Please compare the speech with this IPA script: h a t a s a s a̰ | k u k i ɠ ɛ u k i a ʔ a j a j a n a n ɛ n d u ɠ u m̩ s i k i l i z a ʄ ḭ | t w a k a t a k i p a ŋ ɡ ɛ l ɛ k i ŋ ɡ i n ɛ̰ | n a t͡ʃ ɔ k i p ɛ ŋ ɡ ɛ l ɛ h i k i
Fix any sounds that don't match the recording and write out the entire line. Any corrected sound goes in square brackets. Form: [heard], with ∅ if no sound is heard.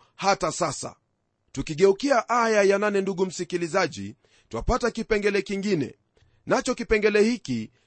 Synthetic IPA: h a t a s a s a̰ | [t] u k i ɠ ɛ u k i a ʔ a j a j a n a n ɛ n d u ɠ u m̩ s i k i l i z a ʄ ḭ | t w a [p] a t a k i p [ɛ] ŋ ɡ ɛ l ɛ k i ŋ ɡ i n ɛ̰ | n a t͡ʃ ɔ k i p ɛ ŋ ɡ ɛ l ɛ h i k i